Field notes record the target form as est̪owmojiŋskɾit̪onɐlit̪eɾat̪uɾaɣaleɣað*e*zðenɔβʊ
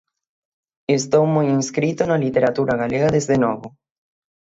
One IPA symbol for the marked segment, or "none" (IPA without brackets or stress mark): e